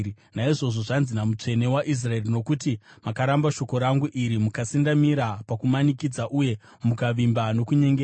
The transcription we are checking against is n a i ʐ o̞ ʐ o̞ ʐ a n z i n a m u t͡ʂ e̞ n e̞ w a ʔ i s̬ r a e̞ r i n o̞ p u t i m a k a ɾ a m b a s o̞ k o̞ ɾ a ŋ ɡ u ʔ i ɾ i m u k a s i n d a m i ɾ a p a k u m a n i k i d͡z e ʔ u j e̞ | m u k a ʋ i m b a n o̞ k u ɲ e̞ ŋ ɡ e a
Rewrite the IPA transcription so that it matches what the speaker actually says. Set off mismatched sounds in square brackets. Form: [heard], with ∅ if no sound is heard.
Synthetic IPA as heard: n a i ʐ o̞ ʐ o̞ ʐ a n z i n a m u t͡ʂ e̞ n e̞ w a ʔ i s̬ r a e̞ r i n o̞ [k] u t i m a k a ɾ a m b a [ʃ] o̞ k o̞ ɾ a ŋ ɡ u ʔ i ɾ i m u k a s i n d a m i ɾ a p a k u m a n i k i d͡z [a] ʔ u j e̞ | m u k a ʋ i m b a n o̞ k u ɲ e̞ ŋ ɡ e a